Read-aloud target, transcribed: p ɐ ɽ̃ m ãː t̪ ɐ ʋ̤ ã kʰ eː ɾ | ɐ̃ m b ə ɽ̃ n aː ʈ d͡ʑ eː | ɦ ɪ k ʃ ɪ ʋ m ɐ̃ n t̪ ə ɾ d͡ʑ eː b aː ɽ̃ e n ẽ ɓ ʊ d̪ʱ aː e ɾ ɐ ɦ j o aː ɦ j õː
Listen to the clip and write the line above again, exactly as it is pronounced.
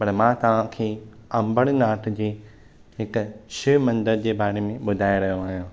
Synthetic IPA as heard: p ɐ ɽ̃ m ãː t̪ ɐ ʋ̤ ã kʰ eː | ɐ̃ m b ə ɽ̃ n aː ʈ d͡ʑ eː | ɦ ɪ k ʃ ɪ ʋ m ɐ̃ n d̪ ə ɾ d͡ʑ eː b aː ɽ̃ e m ẽ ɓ ʊ d̪ʱ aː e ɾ ɐ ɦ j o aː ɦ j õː

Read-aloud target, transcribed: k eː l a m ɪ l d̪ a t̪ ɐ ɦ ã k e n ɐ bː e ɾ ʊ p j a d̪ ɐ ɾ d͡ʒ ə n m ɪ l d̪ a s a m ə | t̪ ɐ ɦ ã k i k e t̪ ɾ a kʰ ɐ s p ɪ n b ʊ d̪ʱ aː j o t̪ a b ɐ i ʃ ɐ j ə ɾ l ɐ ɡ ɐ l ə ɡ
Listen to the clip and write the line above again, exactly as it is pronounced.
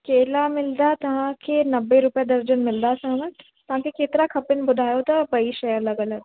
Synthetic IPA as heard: k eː l a m ɪ l d̪ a t̪ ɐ ɦ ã k e n ɐ bː e ɾ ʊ p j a d̪ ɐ ɾ d͡ʒ ə n m ɪ l d̪ a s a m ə | t̪ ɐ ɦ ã k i k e t̪ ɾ a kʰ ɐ p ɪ n b ʊ d̪ʱ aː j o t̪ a b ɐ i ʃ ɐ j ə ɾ l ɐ ɡ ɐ l ə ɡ

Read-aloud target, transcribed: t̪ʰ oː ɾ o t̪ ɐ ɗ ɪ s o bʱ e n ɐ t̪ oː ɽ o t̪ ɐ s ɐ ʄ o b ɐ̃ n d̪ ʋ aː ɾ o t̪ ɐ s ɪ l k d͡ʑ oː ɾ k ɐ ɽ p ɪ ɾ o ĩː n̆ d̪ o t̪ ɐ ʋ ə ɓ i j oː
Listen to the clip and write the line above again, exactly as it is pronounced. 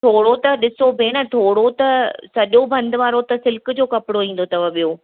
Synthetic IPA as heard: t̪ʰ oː ɽ o t̪ ɐ ɗ ɪ s o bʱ e n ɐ t̪ʰ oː ɽ o t̪ ɐ s ɐ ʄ o b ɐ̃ n d̪ ʋ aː ɾ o t̪ ɐ s ɪ l k d͡ʑ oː k ɐ p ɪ ɽ o ĩː n̆ d̪ o t̪ ɐ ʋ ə ɓ i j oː

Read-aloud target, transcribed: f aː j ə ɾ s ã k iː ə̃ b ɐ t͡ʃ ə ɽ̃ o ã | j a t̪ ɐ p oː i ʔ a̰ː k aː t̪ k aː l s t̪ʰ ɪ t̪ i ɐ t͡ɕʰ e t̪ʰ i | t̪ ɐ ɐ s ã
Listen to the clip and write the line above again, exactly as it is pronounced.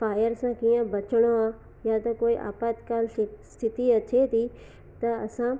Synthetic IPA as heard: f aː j ə ɾ s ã k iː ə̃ b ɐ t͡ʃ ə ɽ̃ o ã | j a t̪ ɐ k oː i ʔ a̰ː p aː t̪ k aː l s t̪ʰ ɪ t̪ i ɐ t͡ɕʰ e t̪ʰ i | t̪ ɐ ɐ s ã

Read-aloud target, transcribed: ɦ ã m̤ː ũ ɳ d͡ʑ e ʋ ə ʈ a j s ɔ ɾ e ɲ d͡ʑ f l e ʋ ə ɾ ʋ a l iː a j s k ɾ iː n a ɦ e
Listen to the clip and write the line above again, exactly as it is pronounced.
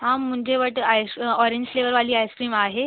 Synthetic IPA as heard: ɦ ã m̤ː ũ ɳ d͡ʑ e ʋ ə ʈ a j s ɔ ɾ e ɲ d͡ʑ f l e ʋ ə ɾ ʋ a l iː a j s k ɾ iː m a ɦ e

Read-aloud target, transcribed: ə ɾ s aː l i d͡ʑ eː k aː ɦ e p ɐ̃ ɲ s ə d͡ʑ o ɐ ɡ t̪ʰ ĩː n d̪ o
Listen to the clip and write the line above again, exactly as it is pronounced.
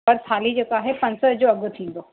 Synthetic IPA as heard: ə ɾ s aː l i d͡ʑ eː k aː ɦ e p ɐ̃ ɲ s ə d͡ʑ o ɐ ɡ t̪ʰ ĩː n d̪ o

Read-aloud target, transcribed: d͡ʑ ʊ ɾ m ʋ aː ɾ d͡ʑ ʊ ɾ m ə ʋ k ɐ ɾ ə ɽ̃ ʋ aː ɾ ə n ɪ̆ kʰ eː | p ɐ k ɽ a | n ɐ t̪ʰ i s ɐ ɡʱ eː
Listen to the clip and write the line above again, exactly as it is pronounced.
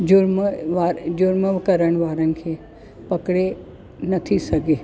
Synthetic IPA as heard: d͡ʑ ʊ ɾ m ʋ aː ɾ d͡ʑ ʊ ɾ m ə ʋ k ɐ ɾ ə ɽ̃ ʋ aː ɾ ə n ɪ̆ kʰ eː | p ɐ k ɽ e | n ɐ t̪ʰ i s ɐ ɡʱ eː

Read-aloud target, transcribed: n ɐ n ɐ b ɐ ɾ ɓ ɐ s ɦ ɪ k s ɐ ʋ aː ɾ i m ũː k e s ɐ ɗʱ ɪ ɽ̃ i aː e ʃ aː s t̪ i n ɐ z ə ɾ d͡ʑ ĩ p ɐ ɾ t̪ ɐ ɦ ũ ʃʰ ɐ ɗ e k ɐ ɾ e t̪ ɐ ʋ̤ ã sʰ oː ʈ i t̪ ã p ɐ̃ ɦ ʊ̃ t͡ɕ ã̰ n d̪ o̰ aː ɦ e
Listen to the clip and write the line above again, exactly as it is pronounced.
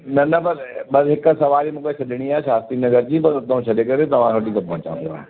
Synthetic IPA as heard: n ɐ n ɐ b ɐ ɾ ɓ ɐ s ɦ ɪ k s ɐ ʋ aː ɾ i m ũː k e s ɐ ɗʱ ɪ ɽ̃ i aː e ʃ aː s t̪ i n ɐ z ə ɾ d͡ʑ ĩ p ɐ ɾ t̪ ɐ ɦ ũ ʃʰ ɐ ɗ e k ɐ ɾ e t̪ ɐ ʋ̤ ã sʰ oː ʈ i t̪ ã p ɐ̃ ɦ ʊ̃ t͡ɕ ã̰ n d̪ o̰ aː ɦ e

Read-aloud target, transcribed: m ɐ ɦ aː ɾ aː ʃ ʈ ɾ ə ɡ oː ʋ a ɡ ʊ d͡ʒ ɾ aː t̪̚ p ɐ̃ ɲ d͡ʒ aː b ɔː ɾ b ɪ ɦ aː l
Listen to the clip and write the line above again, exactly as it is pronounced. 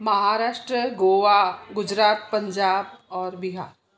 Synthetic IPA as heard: m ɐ ɦ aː ɾ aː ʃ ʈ ɾ ə ɡ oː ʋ a ɡ ʊ d͡ʒ ɾ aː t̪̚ p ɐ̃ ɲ d͡ʒ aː b ɔː ɾ b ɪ ɦ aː ɾ

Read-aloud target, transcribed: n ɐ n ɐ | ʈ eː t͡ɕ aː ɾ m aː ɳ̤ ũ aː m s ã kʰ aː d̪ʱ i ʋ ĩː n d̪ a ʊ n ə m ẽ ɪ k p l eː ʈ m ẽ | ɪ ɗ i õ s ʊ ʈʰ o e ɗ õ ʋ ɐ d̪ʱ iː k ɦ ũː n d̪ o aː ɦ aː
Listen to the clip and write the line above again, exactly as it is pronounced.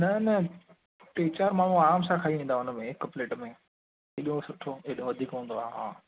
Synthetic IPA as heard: n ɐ n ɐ | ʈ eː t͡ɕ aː ɾ m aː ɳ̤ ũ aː m s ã kʰ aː i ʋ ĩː n d̪ a ʊ n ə m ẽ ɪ k p l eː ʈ m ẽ | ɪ ɗ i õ s ʊ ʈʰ o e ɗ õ ʋ ɐ d̪ʱ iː k ɦ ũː n d̪ o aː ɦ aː

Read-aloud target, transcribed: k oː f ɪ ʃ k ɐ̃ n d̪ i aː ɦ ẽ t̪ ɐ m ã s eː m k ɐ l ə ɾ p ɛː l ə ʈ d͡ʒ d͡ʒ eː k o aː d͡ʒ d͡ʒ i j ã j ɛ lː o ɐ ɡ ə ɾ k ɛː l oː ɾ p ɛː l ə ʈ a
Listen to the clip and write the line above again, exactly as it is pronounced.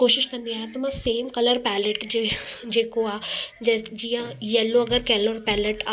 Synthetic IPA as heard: k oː ʃ ɪ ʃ k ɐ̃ n d̪ i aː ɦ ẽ t̪ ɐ m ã s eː m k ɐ l ə ɾ p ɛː l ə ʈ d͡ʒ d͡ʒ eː k o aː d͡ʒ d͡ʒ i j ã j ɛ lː o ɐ ɡ ə ɾ k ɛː l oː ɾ p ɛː l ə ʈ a

